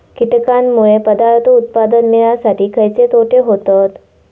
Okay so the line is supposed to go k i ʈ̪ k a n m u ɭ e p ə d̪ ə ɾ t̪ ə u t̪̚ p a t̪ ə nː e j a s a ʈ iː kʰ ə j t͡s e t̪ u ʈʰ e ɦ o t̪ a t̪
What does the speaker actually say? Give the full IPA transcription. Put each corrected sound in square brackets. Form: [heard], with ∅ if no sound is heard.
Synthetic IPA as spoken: k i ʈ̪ k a n m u ɭ e p ə d̪ [a] ɾ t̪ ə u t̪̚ p a [d̪] ə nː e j a s a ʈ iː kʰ ə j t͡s e t̪ [o] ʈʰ e ɦ o t̪ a t̪